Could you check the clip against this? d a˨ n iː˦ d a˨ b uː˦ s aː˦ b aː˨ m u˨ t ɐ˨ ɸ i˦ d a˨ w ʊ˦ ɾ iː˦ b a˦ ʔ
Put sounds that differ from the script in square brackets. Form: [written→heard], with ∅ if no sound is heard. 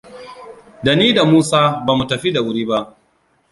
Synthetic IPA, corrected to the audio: d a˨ n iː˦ d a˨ [b→m] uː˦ s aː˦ b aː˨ m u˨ t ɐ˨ ɸ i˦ d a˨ w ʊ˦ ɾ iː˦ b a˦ ʔ